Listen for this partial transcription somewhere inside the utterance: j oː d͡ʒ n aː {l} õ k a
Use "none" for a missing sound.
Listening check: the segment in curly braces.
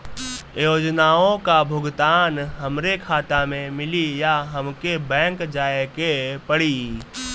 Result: none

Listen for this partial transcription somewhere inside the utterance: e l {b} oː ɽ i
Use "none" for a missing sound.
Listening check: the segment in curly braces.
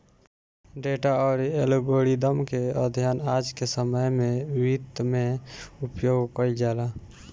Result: ɡ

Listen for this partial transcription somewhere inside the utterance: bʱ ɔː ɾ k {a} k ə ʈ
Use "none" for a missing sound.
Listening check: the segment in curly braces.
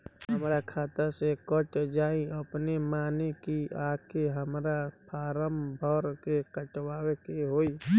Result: e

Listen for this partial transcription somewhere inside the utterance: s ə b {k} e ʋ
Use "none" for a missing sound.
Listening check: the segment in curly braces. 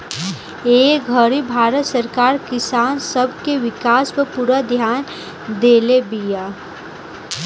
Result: k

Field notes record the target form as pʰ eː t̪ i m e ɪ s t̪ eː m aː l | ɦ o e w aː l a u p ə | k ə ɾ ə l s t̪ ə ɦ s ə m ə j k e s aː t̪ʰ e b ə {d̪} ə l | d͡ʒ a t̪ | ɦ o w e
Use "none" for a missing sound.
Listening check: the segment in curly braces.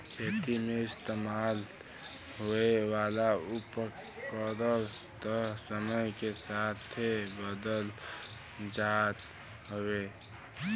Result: d̪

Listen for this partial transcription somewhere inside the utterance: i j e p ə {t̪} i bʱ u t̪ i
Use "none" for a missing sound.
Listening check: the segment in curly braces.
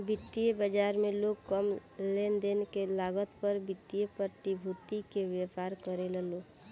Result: t̪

